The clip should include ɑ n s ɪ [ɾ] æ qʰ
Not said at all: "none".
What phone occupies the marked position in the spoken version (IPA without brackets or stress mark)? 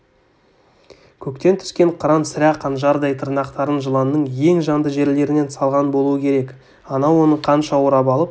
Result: ɾ